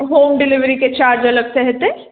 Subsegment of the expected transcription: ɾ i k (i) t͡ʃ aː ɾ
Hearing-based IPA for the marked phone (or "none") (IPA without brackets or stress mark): e